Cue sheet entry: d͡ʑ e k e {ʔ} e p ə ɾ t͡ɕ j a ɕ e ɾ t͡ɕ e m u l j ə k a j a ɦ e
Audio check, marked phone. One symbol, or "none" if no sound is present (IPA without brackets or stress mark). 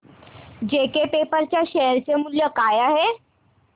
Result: p